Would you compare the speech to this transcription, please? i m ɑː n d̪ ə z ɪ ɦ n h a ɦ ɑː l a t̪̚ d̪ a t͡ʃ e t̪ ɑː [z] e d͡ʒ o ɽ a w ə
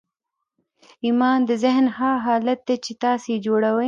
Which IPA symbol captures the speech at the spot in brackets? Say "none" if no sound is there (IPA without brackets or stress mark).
s